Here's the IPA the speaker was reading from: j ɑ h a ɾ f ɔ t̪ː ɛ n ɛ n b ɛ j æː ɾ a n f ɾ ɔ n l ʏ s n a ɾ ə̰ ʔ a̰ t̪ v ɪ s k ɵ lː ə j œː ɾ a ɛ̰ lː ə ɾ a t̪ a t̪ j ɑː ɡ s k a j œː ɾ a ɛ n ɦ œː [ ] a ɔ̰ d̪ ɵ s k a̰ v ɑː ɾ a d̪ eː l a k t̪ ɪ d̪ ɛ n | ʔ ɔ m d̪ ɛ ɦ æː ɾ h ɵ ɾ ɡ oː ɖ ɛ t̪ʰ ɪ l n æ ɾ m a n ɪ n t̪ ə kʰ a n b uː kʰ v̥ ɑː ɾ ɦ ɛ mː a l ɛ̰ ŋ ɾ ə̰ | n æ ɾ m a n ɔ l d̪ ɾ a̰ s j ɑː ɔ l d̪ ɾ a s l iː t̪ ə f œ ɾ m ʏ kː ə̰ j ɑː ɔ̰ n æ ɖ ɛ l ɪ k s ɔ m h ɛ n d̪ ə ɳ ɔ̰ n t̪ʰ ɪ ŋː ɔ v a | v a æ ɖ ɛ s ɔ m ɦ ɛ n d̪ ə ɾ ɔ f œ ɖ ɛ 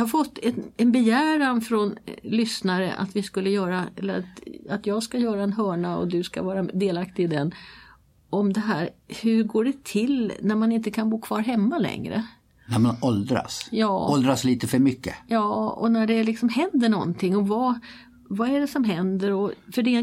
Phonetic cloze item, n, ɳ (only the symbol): ɳ